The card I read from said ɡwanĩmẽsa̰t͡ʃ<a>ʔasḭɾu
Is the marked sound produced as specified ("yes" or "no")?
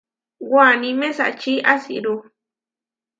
no